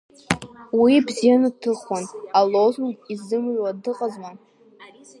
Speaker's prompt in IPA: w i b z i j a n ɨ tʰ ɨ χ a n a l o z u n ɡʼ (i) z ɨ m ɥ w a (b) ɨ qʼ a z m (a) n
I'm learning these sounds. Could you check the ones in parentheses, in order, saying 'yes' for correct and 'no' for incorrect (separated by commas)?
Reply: yes, no, yes